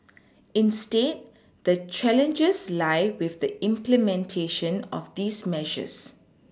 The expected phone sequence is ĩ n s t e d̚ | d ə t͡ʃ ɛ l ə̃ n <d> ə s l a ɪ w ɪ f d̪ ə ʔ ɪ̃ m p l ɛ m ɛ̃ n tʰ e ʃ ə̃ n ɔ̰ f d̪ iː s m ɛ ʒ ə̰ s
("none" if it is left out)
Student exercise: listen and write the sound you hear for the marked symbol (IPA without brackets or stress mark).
d͡ʒ